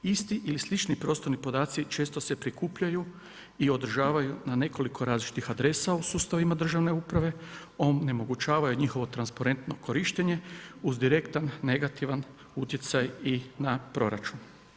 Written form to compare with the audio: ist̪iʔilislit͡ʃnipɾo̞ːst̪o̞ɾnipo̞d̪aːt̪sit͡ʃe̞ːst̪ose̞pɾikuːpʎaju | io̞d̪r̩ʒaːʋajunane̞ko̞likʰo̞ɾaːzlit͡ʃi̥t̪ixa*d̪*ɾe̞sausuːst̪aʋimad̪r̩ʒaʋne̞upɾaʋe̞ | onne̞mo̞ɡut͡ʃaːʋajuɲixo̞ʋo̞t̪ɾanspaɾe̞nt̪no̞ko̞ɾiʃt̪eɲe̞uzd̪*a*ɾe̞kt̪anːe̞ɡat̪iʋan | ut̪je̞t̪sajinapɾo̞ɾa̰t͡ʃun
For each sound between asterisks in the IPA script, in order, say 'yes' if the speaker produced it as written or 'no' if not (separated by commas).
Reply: yes, no